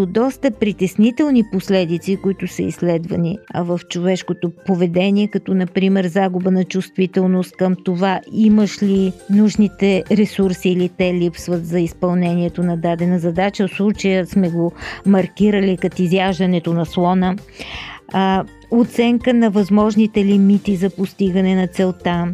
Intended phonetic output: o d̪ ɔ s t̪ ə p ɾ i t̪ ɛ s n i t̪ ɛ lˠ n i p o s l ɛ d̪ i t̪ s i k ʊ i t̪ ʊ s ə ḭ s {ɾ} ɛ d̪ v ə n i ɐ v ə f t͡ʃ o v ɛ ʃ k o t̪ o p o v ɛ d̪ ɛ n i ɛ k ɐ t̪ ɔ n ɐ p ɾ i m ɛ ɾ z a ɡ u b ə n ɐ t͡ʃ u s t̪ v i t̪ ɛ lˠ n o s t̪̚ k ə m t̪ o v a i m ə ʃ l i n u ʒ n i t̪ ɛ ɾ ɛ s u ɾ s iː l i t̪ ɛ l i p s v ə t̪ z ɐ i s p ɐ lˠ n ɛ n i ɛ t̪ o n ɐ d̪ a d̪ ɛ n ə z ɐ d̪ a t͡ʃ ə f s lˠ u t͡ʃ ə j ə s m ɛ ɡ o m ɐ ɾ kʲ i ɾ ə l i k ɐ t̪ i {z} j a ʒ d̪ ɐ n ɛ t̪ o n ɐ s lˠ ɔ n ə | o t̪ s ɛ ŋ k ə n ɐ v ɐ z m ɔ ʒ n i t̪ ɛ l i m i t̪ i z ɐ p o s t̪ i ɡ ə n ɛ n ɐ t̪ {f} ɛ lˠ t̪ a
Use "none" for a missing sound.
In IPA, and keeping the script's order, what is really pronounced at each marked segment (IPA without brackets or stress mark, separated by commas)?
l, z, s